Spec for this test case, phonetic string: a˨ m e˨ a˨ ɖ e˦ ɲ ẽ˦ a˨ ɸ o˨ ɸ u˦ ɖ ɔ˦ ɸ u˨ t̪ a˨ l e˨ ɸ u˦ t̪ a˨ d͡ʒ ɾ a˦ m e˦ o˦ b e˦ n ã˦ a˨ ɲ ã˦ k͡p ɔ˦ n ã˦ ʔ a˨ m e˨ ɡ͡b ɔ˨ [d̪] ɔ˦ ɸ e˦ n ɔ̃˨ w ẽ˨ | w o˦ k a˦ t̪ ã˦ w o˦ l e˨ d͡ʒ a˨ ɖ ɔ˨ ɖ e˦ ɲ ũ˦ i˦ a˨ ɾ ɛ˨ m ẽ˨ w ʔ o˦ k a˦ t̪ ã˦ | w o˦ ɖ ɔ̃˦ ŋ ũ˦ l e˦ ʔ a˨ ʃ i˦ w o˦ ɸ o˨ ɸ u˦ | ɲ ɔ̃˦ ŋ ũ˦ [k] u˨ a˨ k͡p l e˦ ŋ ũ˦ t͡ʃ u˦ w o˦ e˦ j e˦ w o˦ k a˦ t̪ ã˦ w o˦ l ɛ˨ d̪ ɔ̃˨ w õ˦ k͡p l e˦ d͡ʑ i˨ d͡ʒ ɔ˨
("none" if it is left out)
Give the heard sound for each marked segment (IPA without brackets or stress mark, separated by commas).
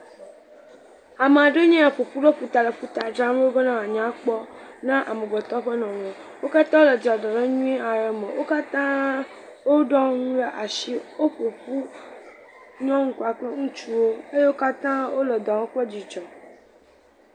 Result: t̪, k